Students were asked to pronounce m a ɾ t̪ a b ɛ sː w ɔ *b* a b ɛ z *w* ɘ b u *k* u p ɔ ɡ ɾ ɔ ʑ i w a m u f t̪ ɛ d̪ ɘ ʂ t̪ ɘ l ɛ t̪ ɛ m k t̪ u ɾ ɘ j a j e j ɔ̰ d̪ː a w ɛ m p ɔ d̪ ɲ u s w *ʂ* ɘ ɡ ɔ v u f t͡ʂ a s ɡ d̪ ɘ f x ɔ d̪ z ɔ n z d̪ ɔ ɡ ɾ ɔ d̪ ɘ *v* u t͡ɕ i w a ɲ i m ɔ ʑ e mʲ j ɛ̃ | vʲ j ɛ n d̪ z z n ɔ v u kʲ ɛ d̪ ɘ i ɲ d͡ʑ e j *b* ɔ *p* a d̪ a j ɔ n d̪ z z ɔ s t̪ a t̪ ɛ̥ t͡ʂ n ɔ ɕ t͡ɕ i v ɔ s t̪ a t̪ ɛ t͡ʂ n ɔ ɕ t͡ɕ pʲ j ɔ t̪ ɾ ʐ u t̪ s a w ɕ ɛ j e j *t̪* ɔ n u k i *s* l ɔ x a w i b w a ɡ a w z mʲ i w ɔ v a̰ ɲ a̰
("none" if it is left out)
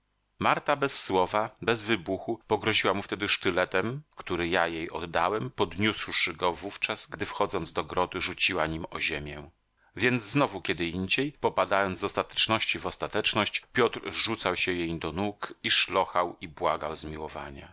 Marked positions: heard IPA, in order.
v, v, x, ʂ, ʐ, p, p, d̪, ʂ

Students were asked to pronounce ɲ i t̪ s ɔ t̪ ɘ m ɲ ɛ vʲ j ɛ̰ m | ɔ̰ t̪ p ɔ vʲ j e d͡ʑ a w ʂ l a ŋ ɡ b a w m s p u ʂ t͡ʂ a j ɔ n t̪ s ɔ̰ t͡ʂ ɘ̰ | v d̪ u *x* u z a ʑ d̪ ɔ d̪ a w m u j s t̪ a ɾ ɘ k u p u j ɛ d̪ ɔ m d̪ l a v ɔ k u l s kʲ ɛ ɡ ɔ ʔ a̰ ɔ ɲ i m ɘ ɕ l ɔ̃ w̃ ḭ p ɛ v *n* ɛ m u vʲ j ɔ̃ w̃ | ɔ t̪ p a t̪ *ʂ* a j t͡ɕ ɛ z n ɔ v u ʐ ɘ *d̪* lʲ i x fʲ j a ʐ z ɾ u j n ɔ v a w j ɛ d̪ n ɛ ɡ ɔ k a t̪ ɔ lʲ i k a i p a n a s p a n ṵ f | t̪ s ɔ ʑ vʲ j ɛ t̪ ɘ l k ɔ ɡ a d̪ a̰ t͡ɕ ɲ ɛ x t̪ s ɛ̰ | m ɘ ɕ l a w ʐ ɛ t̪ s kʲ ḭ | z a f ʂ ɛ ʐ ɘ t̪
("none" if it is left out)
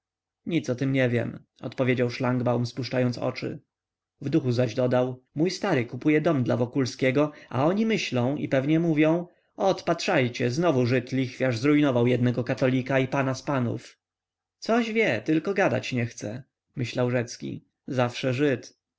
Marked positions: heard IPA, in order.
x, ɲ, ʂ, t̪

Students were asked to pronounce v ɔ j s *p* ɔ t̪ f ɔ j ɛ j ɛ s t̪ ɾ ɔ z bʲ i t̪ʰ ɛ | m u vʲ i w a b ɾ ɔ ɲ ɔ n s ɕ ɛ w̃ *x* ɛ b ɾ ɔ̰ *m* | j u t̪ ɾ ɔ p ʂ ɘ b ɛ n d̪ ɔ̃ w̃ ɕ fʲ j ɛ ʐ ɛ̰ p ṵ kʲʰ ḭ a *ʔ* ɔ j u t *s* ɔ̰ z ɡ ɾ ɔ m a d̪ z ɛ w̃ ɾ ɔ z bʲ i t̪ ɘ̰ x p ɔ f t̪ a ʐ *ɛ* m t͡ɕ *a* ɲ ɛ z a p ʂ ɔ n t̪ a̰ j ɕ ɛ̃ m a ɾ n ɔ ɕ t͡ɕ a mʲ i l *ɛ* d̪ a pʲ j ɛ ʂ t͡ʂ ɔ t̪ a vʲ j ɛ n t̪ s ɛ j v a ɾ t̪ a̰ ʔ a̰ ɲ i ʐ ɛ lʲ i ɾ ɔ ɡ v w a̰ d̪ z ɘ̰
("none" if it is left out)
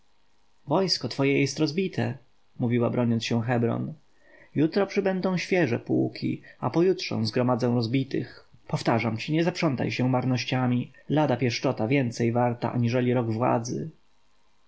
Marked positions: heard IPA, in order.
k, x, n, p, ʂ, a, i, a

